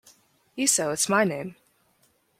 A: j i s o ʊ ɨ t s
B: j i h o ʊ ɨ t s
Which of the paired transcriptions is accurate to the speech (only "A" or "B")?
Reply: A